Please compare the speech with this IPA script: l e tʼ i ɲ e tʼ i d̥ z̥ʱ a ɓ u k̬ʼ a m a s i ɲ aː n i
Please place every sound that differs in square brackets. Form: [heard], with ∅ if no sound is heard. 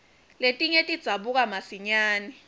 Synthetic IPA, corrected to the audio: l e tʼ i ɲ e tʼ i d̥ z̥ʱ a ɓ u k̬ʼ a m a s i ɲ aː n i